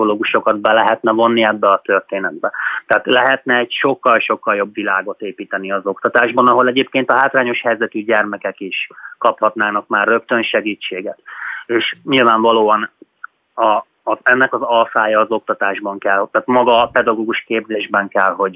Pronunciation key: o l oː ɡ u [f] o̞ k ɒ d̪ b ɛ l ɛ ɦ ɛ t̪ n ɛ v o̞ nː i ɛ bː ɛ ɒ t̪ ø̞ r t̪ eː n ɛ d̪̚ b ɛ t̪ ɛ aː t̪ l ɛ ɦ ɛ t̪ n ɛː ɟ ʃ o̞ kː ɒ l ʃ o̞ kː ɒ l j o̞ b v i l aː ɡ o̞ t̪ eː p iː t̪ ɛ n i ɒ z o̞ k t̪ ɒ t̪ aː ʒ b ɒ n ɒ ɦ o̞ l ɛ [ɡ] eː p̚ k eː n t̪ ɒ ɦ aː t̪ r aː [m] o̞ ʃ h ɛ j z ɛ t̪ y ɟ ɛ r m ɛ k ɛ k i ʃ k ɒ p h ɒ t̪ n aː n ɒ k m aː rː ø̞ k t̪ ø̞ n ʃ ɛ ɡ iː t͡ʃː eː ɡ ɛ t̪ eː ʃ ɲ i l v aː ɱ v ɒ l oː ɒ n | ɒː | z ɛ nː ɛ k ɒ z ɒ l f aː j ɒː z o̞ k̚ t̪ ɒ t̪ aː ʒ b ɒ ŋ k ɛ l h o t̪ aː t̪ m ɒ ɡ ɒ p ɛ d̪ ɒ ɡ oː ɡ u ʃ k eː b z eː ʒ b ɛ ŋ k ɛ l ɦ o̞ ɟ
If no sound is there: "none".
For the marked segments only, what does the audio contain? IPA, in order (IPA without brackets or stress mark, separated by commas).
ʃ, ɟ, ɲ